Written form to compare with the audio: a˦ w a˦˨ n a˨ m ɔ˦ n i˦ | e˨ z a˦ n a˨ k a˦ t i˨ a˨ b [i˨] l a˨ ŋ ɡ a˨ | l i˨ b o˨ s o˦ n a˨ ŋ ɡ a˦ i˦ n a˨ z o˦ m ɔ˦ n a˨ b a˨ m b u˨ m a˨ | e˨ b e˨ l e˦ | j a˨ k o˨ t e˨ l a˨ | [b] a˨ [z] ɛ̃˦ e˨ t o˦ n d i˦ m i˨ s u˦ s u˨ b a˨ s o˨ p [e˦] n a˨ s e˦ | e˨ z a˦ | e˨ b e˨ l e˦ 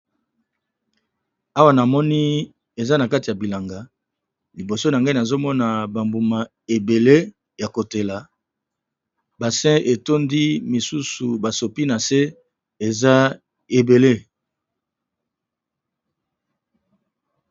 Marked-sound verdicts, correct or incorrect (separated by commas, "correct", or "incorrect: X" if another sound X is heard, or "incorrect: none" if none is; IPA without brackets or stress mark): correct, correct, incorrect: s, incorrect: i˦